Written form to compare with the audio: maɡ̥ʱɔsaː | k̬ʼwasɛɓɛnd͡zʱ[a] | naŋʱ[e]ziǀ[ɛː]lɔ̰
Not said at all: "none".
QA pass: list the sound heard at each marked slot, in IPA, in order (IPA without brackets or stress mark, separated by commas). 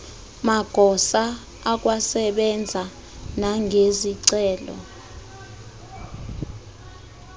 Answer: a, e, ɛː